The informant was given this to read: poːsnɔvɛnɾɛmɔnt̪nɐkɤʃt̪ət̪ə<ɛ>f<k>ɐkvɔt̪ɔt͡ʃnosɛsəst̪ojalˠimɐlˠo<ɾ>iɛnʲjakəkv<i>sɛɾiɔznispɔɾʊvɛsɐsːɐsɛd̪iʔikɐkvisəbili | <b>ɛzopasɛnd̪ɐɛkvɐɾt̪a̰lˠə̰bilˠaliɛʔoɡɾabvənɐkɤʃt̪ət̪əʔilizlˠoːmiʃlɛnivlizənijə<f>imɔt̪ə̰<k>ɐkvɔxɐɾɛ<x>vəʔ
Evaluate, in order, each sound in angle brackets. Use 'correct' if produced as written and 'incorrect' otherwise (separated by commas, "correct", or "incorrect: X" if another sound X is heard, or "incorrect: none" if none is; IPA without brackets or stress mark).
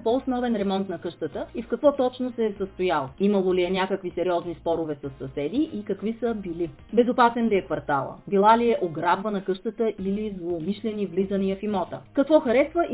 incorrect: i, correct, incorrect: l, correct, correct, correct, correct, incorrect: s